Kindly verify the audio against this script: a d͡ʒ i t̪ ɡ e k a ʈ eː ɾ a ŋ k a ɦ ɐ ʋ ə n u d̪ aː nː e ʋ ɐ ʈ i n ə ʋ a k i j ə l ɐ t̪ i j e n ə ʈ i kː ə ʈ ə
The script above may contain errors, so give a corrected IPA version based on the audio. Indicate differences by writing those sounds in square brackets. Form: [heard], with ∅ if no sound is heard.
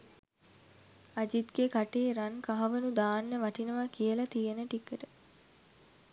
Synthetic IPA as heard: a d͡ʒ i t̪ ɡ e k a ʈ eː ɾ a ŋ k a ɦ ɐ ʋ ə n u d̪ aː nː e ʋ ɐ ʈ i n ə ʋ a k i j ə l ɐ t̪ i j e n ə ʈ i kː ə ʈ ə